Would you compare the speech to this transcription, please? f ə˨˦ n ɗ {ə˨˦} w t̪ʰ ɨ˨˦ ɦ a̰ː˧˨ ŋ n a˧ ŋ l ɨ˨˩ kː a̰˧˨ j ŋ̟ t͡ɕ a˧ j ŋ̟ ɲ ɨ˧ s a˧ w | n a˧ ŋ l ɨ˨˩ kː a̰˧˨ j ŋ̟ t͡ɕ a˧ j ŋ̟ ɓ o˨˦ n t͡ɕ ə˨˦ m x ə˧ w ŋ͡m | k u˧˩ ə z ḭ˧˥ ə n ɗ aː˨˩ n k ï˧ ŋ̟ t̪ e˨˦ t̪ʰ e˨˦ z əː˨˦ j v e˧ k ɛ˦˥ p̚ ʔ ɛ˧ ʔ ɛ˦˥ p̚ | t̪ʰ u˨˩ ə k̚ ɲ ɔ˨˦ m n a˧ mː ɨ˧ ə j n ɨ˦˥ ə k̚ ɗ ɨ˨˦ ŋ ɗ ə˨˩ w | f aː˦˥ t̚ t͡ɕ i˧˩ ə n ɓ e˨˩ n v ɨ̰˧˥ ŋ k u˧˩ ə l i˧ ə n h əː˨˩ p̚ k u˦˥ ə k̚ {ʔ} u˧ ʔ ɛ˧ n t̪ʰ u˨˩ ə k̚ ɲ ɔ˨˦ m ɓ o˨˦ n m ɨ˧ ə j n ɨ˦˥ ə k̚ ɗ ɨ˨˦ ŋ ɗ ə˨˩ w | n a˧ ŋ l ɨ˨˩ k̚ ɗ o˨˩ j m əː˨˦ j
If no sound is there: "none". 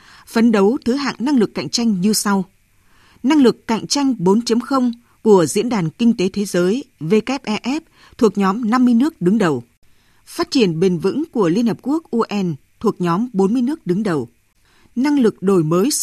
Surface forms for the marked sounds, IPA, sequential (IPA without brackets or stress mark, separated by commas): ə˨˦, ʔ